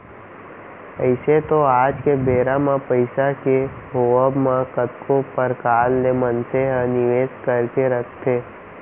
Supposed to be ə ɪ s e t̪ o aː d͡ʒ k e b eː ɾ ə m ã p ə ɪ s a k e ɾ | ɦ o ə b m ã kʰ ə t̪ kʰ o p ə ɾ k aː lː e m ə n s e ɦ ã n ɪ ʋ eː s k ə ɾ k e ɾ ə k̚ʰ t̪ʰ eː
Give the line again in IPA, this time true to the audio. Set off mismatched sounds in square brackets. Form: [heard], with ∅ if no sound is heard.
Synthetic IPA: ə ɪ s e t̪ o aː d͡ʒ k e b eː ɾ [a] m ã p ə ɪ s a k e [∅] | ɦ o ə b m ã [k] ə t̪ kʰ o p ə ɾ k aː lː e m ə n s e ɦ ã n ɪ ʋ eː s k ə ɾ k e ɾ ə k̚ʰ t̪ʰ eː